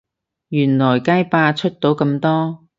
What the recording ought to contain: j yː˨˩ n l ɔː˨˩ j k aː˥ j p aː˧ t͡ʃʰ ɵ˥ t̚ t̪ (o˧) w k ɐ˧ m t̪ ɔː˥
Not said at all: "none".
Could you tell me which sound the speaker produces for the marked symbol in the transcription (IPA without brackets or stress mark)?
o˨˥